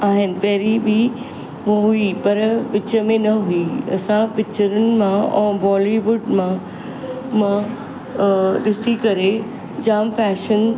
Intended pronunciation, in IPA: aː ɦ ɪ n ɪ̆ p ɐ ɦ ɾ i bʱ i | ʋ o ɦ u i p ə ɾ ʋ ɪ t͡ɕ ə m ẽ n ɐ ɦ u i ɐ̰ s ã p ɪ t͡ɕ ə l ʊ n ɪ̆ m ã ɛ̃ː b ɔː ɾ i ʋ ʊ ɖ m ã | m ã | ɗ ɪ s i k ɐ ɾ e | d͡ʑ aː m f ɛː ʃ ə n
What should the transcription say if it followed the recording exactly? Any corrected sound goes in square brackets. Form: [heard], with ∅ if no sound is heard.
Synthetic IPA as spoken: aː ɦ ɪ n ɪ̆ p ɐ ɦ ɾ i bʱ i | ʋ o ɦ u i p [ɐ] ɾ ʋ ɪ t͡ɕ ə m ẽ n ɐ ɦ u i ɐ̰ s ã p ɪ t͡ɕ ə [ɾ] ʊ n ɪ̆ m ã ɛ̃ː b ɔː [l] i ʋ ʊ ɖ m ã | m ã | ɗ ɪ s i k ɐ ɾ e | d͡ʑ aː m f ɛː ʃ ə n